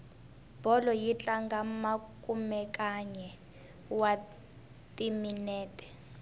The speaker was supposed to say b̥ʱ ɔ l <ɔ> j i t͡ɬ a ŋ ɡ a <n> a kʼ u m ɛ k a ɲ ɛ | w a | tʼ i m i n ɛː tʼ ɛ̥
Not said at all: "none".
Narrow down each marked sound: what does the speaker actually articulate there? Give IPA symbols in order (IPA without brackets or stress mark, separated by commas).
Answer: ɔ, m